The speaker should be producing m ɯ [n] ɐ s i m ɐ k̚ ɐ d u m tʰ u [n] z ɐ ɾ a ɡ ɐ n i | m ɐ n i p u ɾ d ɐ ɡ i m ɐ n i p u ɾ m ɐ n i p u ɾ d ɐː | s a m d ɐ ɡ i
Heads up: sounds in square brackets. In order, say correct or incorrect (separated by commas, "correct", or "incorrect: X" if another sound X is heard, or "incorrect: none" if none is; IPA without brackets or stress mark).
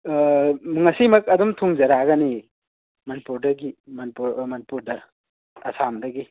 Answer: incorrect: ŋ, incorrect: ŋ